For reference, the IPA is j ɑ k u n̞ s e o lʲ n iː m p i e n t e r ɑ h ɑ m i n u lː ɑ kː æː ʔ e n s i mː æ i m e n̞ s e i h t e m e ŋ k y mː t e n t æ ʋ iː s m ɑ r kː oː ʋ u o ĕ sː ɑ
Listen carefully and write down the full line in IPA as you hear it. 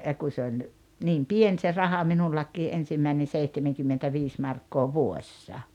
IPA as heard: j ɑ k u n̞ s e o lʲ n iː m p i e n s e r ɑ h ɑ m i n u lː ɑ kː iː ʔ e n s i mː æ i n e n̞ s e i h t e m e ŋ k y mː t e n t æ ʋ iː s m ɑ r kː oː ʋ u o ĕ sː ɑ